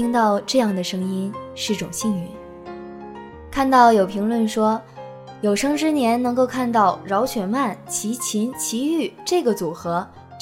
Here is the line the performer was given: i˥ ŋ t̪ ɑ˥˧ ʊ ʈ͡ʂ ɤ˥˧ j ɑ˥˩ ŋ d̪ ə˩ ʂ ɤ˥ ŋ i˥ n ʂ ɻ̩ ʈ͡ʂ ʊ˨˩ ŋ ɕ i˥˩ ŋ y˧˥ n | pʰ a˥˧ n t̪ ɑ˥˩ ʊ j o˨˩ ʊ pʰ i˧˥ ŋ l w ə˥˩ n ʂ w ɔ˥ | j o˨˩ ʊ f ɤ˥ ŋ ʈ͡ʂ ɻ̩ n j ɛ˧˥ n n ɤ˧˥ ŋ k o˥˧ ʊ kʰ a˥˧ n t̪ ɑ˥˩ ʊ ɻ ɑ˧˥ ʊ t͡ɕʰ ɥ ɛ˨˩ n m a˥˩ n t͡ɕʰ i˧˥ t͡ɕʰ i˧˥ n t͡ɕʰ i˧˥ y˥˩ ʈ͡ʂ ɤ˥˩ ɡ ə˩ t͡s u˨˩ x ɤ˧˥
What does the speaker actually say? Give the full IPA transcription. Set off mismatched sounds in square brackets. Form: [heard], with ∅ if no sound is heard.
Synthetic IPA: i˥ ŋ t̪ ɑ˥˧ ʊ ʈ͡ʂ ɤ˥˧ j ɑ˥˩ ŋ d̪ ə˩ ʂ ɤ˥ ŋ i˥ n ʂ ɻ̩ ʈ͡ʂ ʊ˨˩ ŋ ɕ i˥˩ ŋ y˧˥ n | [kʰ] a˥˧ n t̪ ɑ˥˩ ʊ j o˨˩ ʊ pʰ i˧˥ ŋ l w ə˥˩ n ʂ w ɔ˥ | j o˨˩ ʊ [ʂ] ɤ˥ ŋ ʈ͡ʂ ɻ̩ n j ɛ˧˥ n n ɤ˧˥ ŋ k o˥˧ ʊ kʰ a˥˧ n t̪ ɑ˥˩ ʊ ɻ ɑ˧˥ ʊ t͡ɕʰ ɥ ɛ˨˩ n m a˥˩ n t͡ɕʰ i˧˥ t͡ɕʰ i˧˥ n t͡ɕʰ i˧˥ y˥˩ ʈ͡ʂ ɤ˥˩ ɡ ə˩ t͡s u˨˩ x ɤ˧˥